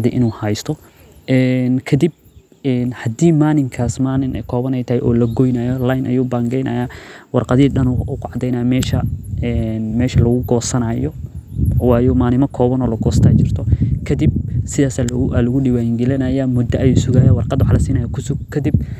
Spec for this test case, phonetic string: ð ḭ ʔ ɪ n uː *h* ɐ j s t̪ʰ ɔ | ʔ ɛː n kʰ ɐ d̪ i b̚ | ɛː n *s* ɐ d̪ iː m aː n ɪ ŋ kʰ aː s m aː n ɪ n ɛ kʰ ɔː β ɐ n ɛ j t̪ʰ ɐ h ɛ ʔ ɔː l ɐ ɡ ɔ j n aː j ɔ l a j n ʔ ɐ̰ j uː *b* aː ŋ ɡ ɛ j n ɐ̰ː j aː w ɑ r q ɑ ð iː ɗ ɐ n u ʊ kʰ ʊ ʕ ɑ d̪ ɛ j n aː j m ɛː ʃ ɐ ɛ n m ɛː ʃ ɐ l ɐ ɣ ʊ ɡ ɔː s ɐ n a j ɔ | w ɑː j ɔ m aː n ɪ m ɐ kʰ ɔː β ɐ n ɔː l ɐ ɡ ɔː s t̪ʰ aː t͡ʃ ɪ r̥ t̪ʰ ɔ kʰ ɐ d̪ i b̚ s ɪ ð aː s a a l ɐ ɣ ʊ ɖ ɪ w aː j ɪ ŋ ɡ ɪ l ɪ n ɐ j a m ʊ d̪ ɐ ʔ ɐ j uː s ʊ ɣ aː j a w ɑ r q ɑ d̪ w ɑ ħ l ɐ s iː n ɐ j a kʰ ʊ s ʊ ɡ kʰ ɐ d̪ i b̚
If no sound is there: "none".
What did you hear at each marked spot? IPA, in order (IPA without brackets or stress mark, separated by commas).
h, h, b